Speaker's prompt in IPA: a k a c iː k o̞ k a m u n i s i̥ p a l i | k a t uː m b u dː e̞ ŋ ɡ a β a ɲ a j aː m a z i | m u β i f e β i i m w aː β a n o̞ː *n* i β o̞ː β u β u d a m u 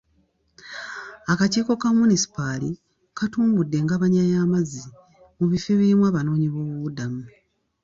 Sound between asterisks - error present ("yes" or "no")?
yes